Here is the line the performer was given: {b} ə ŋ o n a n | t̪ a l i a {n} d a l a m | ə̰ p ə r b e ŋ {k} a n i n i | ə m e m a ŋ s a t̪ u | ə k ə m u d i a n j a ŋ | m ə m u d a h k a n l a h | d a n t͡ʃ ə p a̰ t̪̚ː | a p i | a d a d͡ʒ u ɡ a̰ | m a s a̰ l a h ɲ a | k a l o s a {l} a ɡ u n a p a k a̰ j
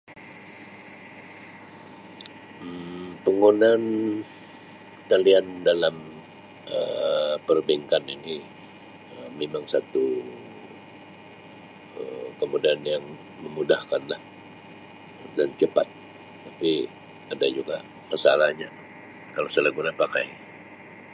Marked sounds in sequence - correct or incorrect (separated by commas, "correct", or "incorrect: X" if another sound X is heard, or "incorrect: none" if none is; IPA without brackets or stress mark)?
incorrect: p, correct, correct, correct